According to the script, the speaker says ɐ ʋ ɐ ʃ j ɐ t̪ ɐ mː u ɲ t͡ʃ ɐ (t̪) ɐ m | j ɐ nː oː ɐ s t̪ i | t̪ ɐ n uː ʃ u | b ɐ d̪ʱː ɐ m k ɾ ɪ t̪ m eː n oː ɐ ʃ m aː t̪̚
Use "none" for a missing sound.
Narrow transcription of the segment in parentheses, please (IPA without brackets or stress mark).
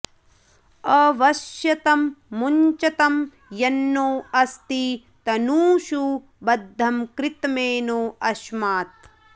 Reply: t̪